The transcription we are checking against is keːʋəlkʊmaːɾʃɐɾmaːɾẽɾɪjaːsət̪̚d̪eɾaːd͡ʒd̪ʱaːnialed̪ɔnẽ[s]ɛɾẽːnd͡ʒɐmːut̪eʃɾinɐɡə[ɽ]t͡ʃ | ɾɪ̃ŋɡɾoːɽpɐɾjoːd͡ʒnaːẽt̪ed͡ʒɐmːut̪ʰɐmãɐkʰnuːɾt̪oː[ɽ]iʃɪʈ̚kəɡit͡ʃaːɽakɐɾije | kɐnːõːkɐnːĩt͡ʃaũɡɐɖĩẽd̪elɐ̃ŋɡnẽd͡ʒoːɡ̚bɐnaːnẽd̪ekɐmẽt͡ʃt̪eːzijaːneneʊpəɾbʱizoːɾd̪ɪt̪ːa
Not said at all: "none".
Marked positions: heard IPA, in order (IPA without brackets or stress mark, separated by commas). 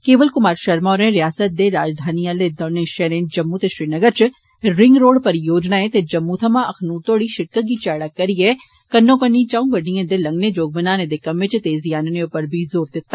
ʃ, ɾ, ɽ